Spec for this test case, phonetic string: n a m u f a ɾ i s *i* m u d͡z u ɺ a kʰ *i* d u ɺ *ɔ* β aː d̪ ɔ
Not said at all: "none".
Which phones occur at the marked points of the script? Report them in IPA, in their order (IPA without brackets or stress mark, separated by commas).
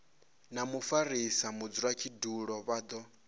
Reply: a, i, ɔ